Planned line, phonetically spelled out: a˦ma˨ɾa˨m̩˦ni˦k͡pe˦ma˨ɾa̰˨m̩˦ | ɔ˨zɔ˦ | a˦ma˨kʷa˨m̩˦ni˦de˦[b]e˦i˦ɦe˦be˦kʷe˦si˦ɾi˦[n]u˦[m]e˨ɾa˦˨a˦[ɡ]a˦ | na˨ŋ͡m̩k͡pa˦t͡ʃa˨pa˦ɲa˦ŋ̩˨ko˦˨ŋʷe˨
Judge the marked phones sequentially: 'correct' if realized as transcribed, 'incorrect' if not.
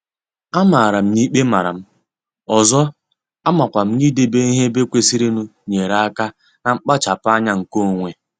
correct, correct, incorrect, incorrect

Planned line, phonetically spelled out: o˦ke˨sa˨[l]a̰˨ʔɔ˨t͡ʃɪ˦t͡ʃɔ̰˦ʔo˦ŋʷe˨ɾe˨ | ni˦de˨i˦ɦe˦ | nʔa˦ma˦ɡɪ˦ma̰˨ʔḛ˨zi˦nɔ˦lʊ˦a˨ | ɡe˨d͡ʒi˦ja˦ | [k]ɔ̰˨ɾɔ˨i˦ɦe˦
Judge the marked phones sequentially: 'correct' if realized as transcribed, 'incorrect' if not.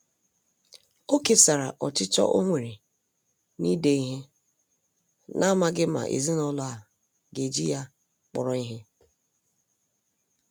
incorrect, incorrect

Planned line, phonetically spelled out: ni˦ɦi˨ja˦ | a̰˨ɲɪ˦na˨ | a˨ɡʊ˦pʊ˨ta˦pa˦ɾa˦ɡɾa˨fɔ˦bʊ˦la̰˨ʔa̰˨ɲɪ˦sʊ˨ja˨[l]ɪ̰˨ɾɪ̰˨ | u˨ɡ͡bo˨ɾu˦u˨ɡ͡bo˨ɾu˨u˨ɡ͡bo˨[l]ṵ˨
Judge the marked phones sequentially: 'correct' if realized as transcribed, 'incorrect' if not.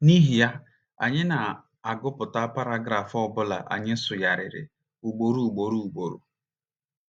incorrect, incorrect

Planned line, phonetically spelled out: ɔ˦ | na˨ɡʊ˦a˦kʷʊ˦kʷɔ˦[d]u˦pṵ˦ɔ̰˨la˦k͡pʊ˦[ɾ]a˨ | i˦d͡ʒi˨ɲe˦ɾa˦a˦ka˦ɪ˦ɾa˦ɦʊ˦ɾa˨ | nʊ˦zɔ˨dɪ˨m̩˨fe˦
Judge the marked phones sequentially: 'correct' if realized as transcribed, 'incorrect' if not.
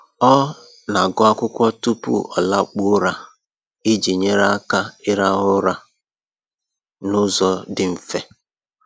incorrect, correct

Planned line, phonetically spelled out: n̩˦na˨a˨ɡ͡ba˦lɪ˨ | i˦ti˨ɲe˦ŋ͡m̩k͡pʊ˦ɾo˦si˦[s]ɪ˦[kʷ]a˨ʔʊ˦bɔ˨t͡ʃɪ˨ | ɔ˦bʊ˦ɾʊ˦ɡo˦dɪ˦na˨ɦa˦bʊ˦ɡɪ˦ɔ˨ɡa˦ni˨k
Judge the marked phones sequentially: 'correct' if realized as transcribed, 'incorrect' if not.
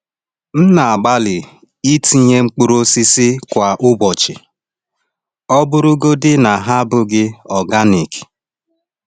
correct, correct

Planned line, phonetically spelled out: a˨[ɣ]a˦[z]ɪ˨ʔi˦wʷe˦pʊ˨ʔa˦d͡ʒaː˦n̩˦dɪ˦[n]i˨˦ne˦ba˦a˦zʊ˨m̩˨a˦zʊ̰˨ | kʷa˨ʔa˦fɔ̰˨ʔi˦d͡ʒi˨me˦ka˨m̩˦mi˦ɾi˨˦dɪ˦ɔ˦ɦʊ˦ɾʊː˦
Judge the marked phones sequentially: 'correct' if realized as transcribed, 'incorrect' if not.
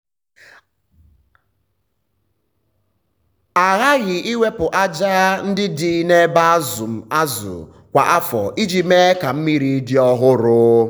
correct, incorrect, incorrect

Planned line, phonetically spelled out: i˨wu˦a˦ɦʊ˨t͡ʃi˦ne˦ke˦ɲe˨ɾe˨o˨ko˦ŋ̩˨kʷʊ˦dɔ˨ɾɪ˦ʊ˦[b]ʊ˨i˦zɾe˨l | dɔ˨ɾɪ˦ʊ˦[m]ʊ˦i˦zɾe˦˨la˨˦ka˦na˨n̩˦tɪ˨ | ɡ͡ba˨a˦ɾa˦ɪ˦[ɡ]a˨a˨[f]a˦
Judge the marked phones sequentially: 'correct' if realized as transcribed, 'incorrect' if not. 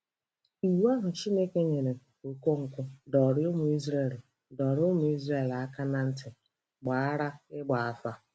incorrect, correct, incorrect, correct

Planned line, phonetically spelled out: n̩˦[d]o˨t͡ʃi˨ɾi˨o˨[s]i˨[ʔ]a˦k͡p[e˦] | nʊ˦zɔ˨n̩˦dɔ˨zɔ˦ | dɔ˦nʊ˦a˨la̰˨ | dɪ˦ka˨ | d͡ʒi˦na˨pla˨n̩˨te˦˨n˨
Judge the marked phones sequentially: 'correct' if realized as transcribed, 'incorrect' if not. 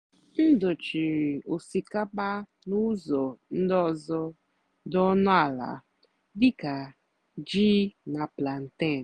correct, correct, incorrect, incorrect

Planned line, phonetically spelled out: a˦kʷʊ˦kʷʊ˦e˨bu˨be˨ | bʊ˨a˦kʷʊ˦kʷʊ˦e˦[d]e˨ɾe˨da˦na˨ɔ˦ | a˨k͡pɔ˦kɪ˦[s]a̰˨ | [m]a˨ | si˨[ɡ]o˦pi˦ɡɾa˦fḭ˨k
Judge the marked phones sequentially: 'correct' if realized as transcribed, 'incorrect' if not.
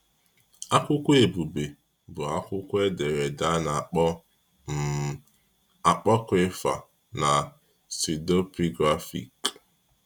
correct, incorrect, incorrect, incorrect

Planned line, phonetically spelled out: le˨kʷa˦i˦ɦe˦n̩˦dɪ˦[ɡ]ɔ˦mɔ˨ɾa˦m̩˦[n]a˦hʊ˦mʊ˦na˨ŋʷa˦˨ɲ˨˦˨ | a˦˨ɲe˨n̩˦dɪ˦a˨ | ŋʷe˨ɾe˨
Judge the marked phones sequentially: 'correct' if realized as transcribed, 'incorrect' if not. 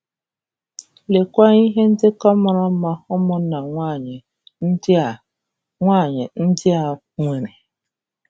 incorrect, incorrect

